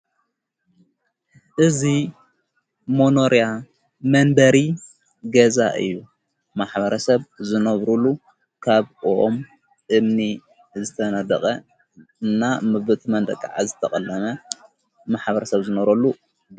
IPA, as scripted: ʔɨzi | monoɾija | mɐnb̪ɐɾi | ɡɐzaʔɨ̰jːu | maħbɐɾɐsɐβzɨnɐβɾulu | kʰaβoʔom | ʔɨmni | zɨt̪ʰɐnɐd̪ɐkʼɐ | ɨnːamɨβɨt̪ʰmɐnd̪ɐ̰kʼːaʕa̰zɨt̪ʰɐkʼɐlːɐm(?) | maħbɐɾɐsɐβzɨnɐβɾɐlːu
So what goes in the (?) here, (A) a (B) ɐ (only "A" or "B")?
B